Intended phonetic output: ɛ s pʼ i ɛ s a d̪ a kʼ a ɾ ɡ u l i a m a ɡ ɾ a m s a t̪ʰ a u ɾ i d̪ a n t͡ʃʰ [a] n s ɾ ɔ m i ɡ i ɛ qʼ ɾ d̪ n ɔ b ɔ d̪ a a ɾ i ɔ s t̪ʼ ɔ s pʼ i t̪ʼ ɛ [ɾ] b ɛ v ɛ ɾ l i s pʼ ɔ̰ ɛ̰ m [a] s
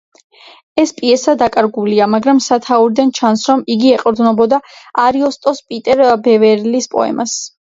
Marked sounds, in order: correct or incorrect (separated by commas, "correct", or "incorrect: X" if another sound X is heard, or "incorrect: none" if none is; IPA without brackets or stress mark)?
correct, correct, correct